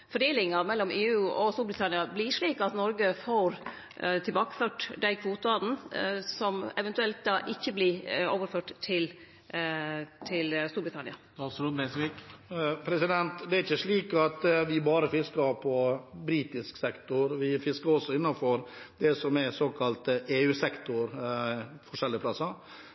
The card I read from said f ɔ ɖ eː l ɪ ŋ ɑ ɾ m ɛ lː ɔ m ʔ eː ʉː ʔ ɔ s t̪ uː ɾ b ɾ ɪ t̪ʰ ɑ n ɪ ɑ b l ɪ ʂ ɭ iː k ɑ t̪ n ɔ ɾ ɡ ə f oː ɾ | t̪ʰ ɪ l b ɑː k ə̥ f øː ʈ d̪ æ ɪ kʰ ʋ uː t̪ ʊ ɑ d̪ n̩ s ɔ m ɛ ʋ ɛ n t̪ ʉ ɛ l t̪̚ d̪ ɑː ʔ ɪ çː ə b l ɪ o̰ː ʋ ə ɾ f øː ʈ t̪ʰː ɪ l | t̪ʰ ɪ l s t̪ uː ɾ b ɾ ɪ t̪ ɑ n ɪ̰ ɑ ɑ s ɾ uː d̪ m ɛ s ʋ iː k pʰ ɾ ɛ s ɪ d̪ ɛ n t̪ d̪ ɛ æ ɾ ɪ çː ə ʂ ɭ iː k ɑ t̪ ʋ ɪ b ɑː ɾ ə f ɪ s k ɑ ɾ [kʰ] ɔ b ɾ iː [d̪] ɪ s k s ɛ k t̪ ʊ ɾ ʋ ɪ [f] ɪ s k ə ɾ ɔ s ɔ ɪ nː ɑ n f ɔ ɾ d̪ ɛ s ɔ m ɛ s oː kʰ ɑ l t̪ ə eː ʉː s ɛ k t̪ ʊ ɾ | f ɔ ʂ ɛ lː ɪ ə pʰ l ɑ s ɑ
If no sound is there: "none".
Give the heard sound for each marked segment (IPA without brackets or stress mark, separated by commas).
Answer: pʰ, t̪, f